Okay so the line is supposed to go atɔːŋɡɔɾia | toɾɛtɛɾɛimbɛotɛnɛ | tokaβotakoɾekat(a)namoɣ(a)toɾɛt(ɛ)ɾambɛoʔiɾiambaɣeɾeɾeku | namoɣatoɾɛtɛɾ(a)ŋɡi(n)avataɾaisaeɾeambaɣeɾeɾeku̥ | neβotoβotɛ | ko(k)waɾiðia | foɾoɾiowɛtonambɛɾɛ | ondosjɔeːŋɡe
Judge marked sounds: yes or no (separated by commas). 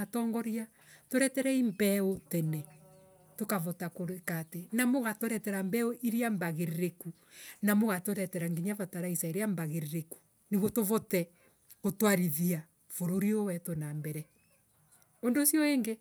no, yes, yes, yes, no, no